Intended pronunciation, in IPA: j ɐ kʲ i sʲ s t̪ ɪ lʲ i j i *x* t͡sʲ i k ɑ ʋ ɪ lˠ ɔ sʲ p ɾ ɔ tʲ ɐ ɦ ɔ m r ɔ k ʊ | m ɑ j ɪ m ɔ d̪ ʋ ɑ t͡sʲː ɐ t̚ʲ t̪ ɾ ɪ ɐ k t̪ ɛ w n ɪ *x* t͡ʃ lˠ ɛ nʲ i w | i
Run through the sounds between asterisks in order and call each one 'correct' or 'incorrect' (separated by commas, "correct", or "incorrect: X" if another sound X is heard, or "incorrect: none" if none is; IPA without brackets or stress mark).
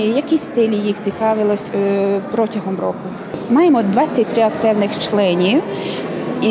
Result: correct, correct